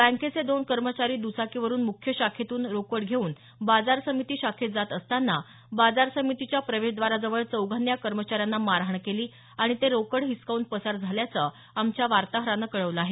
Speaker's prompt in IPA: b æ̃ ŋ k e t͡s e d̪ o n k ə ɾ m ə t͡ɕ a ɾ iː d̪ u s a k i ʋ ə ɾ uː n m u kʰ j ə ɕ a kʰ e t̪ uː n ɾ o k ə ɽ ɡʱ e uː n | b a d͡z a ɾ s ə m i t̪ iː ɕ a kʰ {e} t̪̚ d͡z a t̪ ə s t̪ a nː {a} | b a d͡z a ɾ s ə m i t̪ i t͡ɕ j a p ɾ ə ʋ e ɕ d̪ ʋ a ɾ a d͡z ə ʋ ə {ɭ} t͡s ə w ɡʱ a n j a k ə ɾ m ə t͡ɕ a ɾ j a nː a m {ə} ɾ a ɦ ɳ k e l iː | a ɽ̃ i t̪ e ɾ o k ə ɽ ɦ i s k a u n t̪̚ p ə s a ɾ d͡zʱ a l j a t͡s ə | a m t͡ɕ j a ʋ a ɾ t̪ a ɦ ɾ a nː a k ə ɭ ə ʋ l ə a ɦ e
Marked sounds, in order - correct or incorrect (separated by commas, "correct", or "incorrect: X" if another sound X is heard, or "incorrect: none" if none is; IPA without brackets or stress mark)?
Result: correct, correct, correct, incorrect: a